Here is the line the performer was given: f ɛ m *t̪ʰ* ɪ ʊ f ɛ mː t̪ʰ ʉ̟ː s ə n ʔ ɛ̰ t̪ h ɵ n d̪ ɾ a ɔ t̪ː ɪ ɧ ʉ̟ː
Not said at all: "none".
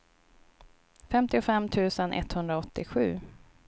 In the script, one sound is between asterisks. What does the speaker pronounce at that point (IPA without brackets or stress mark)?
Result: t̪